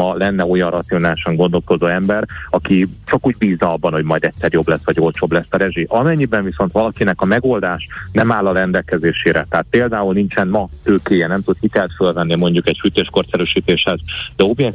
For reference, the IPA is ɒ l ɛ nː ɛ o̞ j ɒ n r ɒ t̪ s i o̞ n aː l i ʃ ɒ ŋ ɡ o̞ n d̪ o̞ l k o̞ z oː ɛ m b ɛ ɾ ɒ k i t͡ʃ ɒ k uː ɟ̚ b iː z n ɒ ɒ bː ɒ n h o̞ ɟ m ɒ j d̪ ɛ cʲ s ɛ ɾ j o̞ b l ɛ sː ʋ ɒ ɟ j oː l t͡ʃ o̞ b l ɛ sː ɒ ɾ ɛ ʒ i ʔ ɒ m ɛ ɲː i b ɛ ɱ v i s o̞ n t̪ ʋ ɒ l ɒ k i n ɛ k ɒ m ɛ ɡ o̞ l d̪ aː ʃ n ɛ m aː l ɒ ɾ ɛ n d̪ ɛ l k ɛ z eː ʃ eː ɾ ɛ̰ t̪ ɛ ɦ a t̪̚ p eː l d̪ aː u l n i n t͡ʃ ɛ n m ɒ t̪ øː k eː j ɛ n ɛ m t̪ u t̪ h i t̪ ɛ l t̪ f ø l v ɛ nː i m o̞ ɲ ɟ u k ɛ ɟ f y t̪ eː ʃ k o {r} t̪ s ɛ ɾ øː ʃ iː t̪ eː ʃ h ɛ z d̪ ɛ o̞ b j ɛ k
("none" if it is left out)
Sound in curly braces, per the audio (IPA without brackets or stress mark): r